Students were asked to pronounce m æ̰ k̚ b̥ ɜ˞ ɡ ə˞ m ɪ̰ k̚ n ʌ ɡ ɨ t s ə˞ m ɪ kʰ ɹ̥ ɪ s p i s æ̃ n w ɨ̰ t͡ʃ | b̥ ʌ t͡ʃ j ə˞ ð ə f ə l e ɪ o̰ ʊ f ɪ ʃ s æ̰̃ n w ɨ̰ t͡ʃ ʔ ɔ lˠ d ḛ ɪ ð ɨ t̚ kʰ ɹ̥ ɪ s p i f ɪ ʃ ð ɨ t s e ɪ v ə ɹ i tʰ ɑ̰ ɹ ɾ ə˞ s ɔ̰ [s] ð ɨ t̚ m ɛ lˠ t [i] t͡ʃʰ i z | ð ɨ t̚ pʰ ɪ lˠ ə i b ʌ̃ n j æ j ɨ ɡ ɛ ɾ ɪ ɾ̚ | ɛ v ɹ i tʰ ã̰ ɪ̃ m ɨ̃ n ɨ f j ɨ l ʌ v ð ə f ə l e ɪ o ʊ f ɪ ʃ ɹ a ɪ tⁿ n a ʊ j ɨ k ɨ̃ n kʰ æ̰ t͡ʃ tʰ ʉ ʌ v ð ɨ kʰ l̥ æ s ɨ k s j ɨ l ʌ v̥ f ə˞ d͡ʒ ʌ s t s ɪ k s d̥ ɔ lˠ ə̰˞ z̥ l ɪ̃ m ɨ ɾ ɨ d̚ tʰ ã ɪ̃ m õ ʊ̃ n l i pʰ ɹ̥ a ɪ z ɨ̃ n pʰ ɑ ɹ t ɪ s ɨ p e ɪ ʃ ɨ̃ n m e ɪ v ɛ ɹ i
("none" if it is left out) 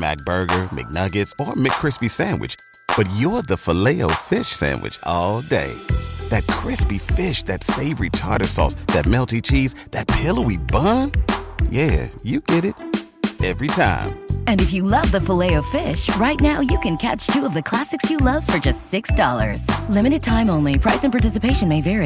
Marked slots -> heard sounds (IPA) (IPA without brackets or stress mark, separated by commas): s, i